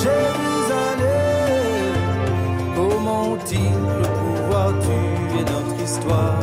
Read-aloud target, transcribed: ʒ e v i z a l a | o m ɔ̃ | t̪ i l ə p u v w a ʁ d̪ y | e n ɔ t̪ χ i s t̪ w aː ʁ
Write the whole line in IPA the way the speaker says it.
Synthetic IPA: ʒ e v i z a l e | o m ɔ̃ | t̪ i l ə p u v w a ʁ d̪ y | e n ɔ t̪ χ i s t̪ w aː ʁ